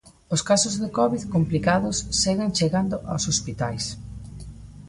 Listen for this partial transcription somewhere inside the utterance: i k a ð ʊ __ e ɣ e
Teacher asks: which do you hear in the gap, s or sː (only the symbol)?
sː